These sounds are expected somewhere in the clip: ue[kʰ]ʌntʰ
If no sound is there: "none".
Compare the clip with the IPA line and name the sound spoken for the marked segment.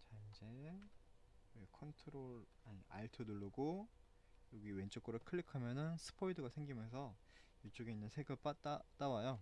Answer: kʰ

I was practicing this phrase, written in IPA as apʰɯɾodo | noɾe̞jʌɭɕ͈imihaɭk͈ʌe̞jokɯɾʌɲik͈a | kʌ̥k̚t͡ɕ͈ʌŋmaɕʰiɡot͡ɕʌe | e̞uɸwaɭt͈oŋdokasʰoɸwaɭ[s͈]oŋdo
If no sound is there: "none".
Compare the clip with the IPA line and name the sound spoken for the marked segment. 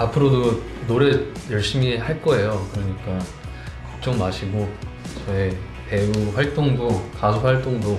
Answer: t͈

